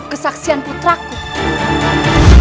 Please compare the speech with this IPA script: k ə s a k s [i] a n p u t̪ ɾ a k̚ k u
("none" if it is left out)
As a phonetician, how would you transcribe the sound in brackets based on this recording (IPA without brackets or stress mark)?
i